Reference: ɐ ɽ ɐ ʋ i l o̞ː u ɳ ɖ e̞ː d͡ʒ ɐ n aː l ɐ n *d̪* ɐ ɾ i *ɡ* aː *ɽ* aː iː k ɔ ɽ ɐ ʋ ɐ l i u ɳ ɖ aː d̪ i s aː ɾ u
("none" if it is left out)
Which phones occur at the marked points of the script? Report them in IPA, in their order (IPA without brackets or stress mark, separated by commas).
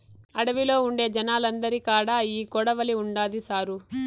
d̪, k, ɽ